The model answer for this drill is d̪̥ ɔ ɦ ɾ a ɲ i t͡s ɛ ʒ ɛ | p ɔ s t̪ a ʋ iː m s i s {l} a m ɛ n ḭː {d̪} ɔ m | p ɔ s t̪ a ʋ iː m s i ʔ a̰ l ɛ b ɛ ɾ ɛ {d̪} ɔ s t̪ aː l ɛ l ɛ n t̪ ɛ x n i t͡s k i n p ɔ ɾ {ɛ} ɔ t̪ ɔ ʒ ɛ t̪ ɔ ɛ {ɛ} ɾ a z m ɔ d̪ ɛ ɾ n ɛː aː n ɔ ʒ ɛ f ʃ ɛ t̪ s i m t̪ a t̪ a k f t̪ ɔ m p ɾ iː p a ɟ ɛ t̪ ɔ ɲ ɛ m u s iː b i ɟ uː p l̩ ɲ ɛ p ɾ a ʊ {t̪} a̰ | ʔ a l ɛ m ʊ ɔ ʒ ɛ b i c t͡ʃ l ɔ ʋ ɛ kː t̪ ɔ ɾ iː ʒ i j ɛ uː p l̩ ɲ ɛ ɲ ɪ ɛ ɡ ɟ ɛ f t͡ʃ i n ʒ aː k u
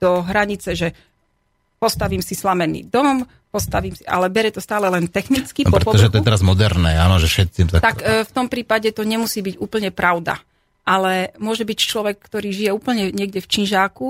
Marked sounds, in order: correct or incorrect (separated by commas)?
correct, correct, incorrect, correct, correct, incorrect